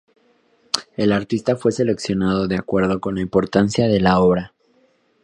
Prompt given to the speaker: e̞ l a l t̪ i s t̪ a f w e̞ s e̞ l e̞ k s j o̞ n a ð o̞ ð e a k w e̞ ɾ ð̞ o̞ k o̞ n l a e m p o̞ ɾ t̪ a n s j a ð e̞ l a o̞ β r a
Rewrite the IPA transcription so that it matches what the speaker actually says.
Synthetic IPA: e̞ l a ɾ t̪ i s t̪ a f w e̞ s e̞ l e̞ k s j o̞ n a ð o̞ ð e a k w e̞ ɾ ð̞ o̞ k o̞ n l a i m p o̞ ɾ t̪ a n s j a ð e̞ l a o̞ β ɾ a